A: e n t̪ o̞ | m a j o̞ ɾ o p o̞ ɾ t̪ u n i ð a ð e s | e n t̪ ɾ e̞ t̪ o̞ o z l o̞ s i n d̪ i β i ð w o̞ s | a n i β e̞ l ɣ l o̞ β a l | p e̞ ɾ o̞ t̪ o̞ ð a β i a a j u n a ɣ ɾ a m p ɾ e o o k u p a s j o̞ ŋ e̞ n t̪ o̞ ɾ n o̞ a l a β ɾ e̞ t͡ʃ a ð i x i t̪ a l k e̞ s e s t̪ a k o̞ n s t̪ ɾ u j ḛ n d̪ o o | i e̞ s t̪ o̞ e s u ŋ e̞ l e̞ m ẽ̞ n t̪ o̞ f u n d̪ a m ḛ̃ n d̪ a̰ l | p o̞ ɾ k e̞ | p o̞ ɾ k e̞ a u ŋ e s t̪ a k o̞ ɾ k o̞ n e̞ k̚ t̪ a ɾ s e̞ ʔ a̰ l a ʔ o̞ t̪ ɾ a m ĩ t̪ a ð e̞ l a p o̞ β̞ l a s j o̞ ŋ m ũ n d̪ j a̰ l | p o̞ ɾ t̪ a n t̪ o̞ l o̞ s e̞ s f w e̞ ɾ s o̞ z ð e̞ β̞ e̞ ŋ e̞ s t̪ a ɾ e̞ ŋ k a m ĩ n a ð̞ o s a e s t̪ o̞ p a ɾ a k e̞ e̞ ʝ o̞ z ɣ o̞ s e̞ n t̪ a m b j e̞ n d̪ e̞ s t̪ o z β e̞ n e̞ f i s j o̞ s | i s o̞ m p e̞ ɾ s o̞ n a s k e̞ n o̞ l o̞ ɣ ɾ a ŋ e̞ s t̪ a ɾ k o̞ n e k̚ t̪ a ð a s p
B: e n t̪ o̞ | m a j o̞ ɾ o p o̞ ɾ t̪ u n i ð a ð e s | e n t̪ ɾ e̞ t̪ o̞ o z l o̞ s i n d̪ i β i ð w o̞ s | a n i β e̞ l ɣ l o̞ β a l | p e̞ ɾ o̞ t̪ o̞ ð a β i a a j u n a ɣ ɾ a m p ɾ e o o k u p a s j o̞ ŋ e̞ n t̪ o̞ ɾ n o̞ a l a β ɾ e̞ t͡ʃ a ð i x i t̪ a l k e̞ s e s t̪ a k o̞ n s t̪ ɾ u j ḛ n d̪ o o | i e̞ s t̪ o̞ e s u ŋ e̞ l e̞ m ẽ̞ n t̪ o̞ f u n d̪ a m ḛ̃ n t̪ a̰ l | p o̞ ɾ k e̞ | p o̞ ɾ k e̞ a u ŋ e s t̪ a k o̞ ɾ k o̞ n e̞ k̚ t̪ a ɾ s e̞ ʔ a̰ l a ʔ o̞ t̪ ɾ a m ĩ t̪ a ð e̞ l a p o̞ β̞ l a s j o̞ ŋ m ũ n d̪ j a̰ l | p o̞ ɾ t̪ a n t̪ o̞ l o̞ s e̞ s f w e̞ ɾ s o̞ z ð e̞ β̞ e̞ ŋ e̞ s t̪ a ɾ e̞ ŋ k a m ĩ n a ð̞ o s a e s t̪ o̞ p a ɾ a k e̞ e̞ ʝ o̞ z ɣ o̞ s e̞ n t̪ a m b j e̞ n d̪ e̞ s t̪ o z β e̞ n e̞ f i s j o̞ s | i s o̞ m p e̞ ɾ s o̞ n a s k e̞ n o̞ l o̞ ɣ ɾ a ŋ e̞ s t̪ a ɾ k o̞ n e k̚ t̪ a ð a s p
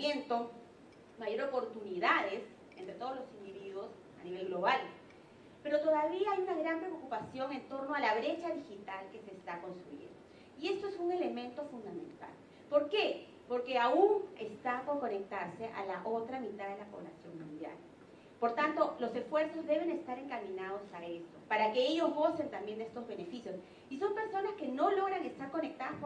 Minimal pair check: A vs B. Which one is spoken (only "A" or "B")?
B